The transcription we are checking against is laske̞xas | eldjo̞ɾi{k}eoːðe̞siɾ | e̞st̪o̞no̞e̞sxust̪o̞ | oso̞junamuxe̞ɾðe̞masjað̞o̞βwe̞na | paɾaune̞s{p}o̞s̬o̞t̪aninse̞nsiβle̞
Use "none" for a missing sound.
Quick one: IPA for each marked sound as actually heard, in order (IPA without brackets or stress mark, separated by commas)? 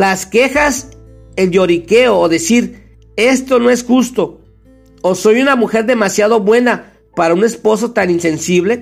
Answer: k, p